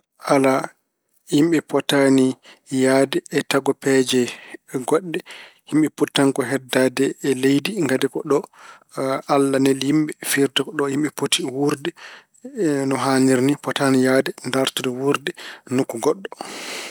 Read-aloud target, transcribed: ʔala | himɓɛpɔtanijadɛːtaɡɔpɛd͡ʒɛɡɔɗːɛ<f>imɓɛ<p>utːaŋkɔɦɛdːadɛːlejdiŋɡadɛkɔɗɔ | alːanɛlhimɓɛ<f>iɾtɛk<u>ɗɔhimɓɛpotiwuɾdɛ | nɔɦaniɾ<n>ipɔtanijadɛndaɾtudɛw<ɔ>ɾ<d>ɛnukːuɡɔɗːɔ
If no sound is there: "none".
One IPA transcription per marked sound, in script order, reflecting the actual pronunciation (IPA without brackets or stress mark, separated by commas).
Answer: h, p, f, ɔ, n, u, d